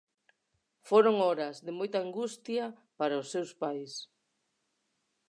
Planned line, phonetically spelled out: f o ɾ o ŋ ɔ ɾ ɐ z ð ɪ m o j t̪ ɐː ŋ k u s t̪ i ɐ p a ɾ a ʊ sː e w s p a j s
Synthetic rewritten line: f o ɾ o ŋ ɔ ɾ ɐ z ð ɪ m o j t̪ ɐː ŋ ɡ u s t̪ j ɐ p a ɾ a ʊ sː e w s p a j s